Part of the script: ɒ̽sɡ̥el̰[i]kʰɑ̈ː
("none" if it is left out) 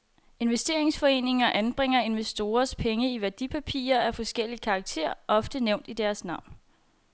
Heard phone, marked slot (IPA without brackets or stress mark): i